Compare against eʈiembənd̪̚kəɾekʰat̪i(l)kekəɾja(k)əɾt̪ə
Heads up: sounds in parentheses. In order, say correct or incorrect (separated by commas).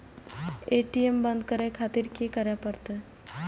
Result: incorrect, incorrect